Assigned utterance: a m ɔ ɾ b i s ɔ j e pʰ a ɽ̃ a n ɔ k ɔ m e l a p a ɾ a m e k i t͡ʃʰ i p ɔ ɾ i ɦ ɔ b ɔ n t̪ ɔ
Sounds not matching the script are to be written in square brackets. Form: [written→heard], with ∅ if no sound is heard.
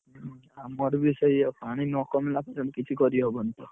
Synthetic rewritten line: a m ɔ ɾ b i s ɔ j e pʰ a ɽ̃ [a→i] n ɔ k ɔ m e l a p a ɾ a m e k i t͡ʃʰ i [p→k] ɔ ɾ i ɦ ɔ b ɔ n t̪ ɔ